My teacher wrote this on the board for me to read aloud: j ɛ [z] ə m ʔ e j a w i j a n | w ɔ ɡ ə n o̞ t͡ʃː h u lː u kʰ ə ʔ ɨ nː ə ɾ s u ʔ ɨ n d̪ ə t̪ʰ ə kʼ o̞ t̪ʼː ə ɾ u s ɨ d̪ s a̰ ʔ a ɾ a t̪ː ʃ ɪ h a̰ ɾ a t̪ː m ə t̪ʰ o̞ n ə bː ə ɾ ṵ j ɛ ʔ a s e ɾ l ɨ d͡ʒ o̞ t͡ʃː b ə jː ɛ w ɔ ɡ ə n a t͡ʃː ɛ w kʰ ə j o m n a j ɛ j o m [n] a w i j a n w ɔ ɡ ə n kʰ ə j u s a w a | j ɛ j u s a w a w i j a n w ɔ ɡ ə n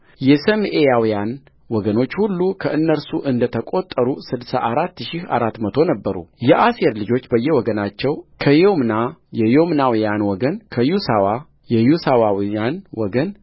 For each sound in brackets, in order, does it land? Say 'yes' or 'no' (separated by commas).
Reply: no, yes